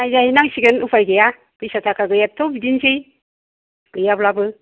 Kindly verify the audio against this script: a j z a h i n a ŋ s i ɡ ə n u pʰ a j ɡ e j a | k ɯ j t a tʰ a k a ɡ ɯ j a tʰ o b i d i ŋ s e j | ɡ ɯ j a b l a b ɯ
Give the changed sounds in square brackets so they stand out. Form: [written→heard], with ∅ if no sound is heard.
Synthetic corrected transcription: a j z a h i n a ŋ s i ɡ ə n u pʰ a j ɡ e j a | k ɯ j [t→s] a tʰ a k a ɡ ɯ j a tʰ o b i d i [ŋ→n] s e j | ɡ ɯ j a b l a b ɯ